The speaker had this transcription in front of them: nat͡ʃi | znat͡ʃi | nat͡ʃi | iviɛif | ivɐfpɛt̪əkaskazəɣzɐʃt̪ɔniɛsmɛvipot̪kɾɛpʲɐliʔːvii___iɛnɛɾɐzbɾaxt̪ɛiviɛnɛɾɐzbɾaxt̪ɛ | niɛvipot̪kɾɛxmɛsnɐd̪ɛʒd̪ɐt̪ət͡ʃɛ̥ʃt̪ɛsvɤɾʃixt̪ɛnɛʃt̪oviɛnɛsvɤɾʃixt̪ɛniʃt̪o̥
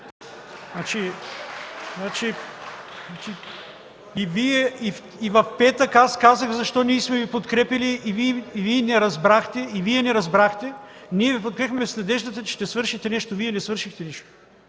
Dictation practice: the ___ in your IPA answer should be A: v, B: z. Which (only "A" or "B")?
A